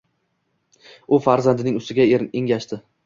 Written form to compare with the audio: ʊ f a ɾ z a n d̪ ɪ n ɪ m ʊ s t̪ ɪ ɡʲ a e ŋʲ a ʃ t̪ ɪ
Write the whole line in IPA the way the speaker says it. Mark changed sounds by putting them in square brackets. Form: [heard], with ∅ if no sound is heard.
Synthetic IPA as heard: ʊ f a ɾ z a n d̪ ɪ n ɪ [ŋ] ʊ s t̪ ɪ ɡʲ a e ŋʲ a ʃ t̪ ɪ